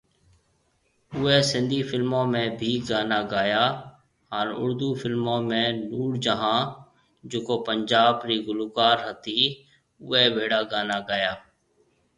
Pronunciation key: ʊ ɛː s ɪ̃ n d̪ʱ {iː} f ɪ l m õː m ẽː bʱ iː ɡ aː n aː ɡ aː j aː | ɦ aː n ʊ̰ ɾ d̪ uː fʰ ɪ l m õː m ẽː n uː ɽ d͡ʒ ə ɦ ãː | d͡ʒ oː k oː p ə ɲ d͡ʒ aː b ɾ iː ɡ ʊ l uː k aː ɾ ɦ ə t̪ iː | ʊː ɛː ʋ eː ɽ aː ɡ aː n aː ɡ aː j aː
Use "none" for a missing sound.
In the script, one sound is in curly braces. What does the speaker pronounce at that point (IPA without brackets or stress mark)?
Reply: iː